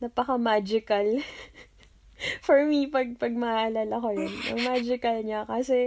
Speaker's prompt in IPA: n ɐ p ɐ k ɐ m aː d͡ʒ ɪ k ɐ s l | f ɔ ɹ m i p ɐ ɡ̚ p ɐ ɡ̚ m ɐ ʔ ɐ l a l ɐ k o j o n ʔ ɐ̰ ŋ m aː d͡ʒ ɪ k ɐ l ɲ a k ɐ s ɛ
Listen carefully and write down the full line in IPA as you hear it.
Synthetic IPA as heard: n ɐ p ɐ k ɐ m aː d͡ʒ ɪ k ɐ l | f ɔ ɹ m i p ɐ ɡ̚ p ɐ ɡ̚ m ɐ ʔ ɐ l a l ɐ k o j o n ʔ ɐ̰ ŋ m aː d͡ʒ ɪ k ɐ l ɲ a k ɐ s ɛ